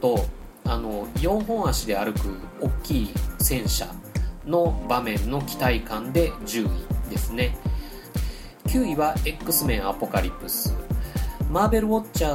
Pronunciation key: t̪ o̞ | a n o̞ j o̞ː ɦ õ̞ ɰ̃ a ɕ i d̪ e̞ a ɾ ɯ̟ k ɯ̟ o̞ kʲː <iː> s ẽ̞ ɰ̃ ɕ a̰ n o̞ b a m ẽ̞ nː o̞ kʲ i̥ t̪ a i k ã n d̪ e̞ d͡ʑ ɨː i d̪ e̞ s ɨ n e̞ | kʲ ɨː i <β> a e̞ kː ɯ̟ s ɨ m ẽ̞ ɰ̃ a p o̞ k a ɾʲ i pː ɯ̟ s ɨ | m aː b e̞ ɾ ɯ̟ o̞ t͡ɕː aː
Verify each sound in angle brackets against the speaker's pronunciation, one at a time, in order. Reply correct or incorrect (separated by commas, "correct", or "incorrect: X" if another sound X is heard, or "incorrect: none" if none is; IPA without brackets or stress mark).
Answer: correct, correct